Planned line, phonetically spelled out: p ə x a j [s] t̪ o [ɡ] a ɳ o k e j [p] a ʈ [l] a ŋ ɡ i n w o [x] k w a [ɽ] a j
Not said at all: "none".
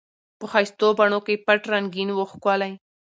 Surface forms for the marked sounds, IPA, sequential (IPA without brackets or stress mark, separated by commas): s, b, p, ɾ, x, l